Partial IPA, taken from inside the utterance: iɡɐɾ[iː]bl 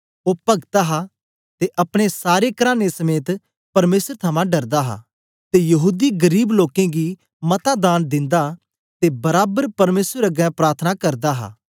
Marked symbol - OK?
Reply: yes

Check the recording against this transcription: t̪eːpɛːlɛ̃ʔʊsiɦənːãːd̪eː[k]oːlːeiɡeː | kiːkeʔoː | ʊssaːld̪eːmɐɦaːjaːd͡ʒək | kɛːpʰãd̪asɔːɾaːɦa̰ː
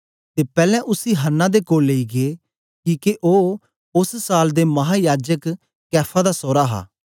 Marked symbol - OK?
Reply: yes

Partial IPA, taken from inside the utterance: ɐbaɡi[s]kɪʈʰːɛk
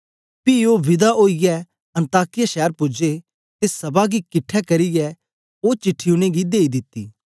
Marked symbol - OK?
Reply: no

